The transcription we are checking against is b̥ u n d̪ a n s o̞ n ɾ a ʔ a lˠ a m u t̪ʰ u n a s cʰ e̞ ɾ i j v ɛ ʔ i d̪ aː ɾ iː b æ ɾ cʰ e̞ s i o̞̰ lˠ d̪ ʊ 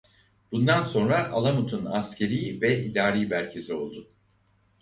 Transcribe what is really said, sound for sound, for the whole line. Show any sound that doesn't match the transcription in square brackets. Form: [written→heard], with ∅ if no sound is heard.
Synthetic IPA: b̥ u n d̪ a n s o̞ n ɾ a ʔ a lˠ a m u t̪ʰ u n a s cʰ e̞ ɾ i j v ɛ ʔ i d̪ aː ɾ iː b æ ɾ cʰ e̞ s i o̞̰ lˠ d̪ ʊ